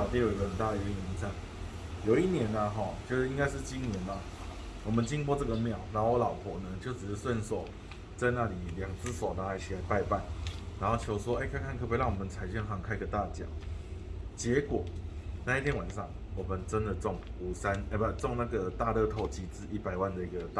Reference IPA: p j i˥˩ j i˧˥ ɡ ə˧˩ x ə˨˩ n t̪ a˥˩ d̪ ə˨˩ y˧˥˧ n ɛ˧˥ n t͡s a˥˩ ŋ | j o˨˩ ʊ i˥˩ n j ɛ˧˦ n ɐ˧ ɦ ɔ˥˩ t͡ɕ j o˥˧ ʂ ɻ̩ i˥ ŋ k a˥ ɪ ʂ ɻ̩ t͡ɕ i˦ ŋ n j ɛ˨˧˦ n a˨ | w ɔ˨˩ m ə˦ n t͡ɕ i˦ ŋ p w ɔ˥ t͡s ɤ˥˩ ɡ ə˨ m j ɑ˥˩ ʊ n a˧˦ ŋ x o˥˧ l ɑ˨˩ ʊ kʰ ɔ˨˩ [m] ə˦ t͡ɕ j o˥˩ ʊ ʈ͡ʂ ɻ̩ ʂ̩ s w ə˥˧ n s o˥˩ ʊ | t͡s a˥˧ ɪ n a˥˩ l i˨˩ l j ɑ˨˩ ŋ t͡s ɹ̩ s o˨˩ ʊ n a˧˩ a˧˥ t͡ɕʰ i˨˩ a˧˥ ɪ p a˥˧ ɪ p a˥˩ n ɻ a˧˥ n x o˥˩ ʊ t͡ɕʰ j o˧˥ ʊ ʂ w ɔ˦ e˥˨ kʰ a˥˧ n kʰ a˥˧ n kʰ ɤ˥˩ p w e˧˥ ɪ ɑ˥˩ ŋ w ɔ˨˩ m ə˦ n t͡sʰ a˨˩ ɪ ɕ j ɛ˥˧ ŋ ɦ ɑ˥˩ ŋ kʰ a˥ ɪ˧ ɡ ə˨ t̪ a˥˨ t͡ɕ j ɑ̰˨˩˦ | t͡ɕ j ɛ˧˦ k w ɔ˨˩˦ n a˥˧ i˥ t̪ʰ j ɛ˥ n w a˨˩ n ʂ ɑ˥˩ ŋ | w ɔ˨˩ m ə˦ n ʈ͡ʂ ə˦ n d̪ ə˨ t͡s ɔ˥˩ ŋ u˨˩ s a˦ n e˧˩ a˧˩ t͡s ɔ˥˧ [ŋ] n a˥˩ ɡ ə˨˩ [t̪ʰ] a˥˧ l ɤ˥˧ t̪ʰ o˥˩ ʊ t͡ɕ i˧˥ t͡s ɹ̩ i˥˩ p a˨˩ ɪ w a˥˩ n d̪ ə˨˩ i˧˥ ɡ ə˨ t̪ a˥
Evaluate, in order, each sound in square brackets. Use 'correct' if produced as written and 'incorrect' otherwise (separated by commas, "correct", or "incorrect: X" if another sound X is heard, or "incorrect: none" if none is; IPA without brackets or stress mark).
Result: incorrect: n, correct, incorrect: t̪